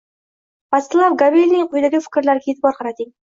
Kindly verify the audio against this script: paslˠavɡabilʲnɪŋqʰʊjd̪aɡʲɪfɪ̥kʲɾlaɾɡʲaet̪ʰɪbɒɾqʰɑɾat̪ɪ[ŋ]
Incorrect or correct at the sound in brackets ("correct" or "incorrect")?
correct